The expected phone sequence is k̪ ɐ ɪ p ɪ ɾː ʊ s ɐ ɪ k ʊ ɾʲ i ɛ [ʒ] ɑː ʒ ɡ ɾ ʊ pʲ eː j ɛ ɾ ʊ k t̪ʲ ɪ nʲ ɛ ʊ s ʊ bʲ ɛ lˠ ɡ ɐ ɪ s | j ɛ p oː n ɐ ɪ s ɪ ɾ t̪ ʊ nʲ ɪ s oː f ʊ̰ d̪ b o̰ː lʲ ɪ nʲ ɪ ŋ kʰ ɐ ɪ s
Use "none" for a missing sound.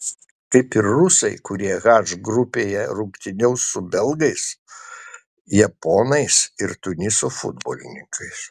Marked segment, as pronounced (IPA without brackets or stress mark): ɣ